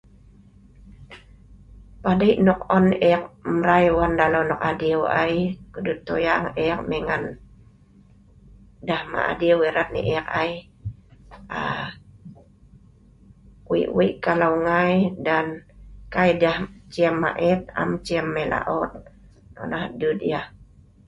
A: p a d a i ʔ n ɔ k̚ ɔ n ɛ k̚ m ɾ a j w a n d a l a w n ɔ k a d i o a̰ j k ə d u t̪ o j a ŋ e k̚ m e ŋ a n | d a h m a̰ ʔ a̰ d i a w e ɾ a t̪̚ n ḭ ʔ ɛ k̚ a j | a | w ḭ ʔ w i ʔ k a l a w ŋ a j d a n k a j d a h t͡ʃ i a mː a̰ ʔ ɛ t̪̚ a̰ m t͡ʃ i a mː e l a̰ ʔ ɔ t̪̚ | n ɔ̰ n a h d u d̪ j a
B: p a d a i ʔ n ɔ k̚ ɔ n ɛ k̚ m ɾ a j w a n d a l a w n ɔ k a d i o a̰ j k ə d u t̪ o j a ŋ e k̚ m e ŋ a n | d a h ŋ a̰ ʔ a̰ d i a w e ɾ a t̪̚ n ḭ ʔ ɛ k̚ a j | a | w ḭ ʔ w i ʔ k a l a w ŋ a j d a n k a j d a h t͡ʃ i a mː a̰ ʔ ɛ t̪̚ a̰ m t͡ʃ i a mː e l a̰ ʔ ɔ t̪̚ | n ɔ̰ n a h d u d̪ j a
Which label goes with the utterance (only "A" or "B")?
A